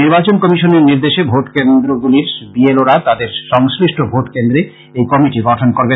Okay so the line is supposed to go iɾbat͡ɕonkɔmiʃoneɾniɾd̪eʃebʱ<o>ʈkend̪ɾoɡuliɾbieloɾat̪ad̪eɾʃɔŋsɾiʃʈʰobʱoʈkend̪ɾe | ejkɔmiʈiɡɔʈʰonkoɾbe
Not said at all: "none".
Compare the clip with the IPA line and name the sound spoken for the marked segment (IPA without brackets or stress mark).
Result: o